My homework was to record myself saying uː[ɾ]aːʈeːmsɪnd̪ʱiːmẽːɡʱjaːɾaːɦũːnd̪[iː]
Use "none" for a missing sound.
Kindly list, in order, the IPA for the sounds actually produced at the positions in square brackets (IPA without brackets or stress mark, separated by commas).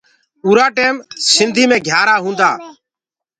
ɾ, aː